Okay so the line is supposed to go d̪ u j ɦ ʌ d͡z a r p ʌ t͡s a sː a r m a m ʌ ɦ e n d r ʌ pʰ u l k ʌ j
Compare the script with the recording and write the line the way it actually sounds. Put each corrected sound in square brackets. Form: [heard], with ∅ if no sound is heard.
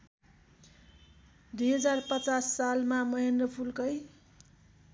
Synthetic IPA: d̪ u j ɦ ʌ d͡z a r p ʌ t͡s a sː a [l] m a m ʌ ɦ e n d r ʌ pʰ u l k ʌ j